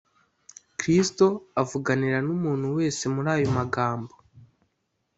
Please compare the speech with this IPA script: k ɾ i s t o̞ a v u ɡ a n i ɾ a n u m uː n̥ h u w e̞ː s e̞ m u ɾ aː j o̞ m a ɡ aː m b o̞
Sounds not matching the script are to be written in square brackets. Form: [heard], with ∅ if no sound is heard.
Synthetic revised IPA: k ɾ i s t o̞ a v u ɡ a n i ɾ a n u m uː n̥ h u w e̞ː s e̞ m u ɾ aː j o̞ m a ɡ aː m b o̞